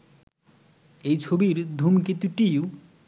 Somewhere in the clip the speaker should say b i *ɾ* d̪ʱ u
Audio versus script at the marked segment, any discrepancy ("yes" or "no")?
no